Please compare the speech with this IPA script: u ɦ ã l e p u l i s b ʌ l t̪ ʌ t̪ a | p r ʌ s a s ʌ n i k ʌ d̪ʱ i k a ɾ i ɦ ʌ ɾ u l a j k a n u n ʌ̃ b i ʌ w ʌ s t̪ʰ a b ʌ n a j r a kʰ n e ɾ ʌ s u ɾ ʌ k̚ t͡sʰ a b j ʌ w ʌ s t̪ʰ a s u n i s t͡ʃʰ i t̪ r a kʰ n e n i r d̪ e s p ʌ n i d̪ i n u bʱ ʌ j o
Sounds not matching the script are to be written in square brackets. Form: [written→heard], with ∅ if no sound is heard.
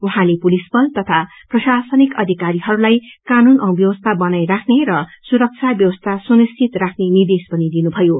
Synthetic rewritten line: u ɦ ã l e p u l i s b ʌ l t̪ ʌ [t̪→t̪ʰ] a | p r ʌ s a s ʌ n i k ʌ d̪ʱ i k a ɾ i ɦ ʌ ɾ u l a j k a n u n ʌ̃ b [i→j] ʌ w ʌ s t̪ʰ a b ʌ n a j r a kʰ n e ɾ ʌ s u ɾ ʌ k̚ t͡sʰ a b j ʌ w ʌ s t̪ʰ a s u n i s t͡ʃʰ i t̪ r a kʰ n e n i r d̪ e s p ʌ n i d̪ i n u bʱ ʌ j o